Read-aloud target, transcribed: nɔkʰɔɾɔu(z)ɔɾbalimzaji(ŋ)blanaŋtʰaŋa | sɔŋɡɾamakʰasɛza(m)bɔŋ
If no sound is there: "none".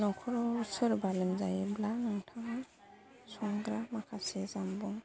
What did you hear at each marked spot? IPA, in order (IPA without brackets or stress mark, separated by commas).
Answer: s, none, m